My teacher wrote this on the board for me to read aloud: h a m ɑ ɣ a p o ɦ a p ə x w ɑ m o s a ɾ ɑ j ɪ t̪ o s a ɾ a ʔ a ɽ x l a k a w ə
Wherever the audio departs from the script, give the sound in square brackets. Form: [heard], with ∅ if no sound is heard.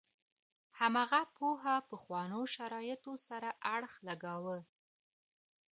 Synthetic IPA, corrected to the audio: h a m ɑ ɣ a p o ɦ a p ə x w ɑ [n] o [ʃ] a ɾ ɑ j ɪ t̪ o s a ɾ a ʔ a ɽ x l a [ɡ] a w ə